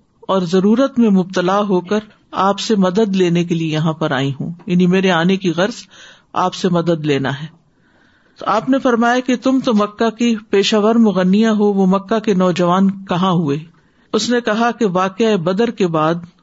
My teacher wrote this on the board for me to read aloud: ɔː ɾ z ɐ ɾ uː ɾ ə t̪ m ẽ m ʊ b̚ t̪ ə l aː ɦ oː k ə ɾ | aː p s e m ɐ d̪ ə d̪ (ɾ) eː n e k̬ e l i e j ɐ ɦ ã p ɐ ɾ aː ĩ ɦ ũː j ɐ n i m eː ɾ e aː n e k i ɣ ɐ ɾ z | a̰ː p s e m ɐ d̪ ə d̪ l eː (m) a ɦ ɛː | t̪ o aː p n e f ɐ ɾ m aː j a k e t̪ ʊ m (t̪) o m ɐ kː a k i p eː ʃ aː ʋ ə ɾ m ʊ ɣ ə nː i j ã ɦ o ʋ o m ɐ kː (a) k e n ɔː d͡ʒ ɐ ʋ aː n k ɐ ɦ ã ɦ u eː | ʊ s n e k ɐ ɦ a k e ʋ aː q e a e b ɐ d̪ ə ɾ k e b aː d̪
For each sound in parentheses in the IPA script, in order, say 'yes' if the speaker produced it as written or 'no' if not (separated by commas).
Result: no, no, yes, yes